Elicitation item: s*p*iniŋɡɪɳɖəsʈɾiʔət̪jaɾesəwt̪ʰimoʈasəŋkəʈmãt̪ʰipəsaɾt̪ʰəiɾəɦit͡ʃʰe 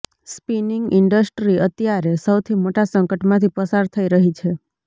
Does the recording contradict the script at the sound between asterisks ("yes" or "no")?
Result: no